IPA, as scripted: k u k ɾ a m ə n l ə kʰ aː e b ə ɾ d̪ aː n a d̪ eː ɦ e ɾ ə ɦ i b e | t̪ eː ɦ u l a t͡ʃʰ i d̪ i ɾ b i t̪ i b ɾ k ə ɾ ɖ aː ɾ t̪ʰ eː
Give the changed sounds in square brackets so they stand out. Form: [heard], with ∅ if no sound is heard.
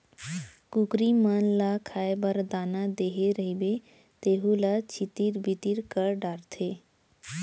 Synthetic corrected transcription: k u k ɾ [i] m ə n l [a] kʰ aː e b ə ɾ d̪ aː n a d̪ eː ɦ e ɾ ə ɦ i b e | t̪ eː ɦ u l a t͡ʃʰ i [t̪] i ɾ b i t̪ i [∅] ɾ k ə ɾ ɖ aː ɾ t̪ʰ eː